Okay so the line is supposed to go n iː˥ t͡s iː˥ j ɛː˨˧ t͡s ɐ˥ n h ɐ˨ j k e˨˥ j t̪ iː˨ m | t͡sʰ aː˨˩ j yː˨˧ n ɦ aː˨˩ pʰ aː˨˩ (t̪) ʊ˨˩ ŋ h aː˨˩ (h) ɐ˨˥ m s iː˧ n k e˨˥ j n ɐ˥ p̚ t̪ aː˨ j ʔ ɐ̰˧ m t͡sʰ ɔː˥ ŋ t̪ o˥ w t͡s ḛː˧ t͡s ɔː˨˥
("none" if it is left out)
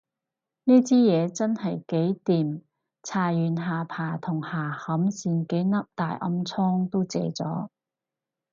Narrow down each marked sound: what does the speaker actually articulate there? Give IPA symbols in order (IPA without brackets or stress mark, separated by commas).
t̪ʰ, h